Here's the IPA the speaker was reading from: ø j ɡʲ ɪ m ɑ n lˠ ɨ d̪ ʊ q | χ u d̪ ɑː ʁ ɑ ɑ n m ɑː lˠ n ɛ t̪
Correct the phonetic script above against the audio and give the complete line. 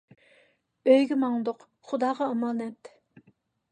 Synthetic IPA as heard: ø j ɡʲ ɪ m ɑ ŋ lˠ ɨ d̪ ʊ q | χ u d̪ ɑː ʁ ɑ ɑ m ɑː n ɛ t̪